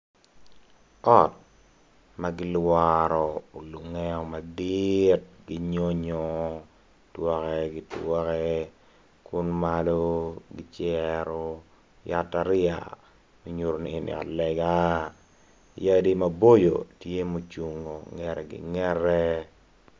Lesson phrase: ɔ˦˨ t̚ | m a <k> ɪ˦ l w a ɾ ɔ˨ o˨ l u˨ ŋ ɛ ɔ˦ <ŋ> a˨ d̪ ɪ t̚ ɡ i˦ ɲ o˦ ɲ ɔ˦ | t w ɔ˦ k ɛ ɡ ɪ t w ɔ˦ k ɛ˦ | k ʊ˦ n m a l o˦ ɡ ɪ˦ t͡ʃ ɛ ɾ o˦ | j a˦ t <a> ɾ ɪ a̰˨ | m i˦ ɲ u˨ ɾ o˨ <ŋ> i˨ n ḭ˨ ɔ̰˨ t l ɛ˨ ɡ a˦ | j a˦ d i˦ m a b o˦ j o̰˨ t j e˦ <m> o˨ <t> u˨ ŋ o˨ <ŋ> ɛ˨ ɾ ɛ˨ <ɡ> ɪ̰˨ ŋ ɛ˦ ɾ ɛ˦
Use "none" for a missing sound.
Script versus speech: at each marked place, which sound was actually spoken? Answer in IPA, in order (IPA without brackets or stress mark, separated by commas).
ɡ, m, a, n, m, t͡ʃ, ŋ, ɡ